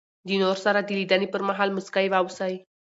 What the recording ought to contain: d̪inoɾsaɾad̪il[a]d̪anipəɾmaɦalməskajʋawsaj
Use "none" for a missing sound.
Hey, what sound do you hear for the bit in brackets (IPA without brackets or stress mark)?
i